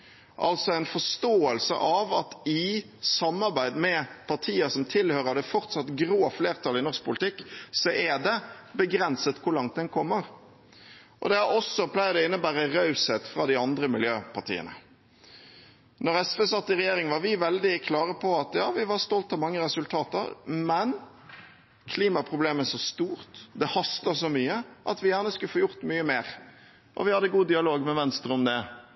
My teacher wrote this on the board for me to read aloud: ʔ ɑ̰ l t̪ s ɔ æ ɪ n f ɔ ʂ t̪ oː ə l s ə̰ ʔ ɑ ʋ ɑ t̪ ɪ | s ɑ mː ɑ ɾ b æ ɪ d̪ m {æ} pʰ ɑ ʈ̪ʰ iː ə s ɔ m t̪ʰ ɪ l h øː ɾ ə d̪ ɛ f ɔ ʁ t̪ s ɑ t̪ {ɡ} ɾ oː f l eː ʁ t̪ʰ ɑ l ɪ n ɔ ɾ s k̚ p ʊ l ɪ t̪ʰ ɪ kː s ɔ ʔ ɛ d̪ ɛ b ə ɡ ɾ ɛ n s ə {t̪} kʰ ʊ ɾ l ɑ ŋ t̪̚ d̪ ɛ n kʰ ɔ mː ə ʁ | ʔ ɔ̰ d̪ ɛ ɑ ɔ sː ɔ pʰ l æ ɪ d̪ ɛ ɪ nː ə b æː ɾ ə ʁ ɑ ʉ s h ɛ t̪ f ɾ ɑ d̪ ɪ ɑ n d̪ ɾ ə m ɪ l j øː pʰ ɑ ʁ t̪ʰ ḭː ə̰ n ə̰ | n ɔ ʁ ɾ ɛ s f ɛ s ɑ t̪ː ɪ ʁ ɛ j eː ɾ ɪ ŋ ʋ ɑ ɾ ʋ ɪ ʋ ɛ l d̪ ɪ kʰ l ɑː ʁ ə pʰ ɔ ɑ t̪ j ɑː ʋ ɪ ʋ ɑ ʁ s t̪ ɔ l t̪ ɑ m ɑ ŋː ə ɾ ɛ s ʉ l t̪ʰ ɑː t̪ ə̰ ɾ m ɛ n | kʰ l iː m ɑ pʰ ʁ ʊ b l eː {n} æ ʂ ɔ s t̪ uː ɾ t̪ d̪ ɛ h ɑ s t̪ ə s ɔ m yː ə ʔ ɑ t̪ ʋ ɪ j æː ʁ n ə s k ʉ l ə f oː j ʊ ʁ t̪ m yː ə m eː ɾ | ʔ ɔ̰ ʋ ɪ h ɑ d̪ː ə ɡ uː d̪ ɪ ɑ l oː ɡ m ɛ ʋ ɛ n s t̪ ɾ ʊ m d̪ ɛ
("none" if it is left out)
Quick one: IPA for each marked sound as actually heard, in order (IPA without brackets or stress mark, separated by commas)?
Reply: ɛ, ɡ, t̪, m